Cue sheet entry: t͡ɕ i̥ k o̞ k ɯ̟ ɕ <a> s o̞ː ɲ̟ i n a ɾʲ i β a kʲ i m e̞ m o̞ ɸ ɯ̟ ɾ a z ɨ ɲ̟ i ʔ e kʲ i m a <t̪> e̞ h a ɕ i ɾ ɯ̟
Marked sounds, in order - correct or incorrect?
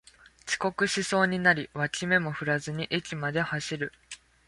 incorrect: i, incorrect: d̪

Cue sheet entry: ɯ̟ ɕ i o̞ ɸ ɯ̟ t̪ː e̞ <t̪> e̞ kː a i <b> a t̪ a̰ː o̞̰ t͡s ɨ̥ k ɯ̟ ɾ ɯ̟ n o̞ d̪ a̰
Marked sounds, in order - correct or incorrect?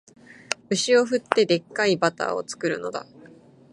incorrect: d̪, correct

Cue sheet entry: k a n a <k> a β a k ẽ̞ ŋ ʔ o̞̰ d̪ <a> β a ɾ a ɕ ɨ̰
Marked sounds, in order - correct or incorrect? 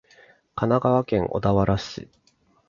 incorrect: ɡ, correct

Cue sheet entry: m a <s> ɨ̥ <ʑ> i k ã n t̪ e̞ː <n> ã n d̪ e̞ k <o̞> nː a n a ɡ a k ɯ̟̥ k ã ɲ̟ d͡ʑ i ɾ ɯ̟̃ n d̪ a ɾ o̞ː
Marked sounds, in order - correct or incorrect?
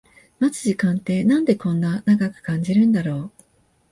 incorrect: t͡s, correct, correct, incorrect: õ̞

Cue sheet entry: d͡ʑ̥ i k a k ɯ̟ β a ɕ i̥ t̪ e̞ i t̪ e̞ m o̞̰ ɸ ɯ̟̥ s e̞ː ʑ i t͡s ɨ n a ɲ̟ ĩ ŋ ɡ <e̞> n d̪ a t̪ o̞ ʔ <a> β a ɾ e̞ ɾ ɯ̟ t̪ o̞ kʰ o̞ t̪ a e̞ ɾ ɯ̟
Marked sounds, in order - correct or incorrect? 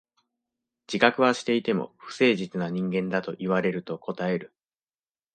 incorrect: ẽ̞, incorrect: i

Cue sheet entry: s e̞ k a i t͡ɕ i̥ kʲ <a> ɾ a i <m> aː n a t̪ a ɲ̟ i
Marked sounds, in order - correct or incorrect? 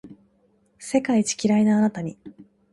incorrect: i, incorrect: n

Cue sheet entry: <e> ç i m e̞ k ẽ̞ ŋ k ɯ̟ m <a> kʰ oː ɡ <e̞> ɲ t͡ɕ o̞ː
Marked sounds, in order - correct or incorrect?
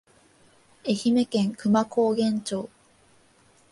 correct, correct, incorrect: ẽ̞

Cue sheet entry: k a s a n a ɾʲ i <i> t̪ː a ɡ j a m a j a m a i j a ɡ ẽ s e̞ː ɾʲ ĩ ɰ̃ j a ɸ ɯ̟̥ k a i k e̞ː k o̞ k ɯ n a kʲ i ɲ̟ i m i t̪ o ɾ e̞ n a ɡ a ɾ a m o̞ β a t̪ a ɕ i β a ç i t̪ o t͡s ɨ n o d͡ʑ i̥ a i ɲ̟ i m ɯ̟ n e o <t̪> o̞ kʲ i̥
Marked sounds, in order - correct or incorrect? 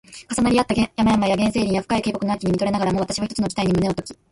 incorrect: a, correct

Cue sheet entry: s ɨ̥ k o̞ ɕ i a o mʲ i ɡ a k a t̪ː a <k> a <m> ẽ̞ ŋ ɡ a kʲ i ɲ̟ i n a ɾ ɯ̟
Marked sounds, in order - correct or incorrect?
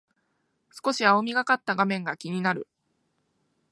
incorrect: ɡ, correct

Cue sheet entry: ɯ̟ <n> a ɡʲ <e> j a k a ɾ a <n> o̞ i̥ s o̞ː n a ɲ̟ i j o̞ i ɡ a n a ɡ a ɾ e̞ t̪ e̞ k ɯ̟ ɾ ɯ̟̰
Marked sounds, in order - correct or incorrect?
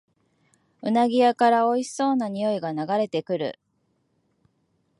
correct, incorrect: i, incorrect: none

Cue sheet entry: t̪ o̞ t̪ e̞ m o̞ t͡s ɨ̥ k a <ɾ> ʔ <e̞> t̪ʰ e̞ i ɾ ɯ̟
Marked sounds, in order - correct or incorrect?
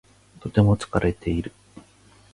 correct, correct

